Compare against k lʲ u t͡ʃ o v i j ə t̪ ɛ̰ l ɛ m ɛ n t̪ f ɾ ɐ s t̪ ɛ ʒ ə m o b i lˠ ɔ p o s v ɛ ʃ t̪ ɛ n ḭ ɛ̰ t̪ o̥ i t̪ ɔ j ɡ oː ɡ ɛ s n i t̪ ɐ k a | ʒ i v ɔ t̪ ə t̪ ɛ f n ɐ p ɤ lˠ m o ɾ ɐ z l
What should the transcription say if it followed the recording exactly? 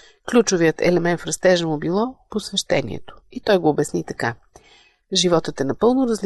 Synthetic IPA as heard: k lʲ u t͡ʃ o v i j ə t̪ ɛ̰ l ɛ m ɛ n t̪ f ɾ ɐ s t̪ ɛ ʒ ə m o b i lˠ ɔ p o s v ɛ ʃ t̪ ɛ n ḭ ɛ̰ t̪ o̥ i t̪ ɔ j ɡ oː b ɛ s n i t̪ ɐ k a | ʒ i v ɔ t̪ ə t̪ ɛ n ɐ p ɤ lˠ n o ɾ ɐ z l